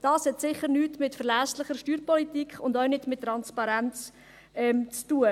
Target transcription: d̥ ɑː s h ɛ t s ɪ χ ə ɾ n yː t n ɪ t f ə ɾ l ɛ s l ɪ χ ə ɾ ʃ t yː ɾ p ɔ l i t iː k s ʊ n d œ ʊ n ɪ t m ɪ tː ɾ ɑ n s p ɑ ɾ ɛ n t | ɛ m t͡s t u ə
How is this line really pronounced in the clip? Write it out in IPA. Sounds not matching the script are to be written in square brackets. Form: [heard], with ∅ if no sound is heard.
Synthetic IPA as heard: d̥ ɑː s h ɛ t s ɪ χ ə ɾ n yː t [m] ɪ t f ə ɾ l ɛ s l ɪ χ ə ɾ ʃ t yː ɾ p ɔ l i t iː k [χ] ʊ n d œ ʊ n ɪ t m ɪ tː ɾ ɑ n s p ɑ ɾ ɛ n [t͡s] | ɛ m t͡s t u ə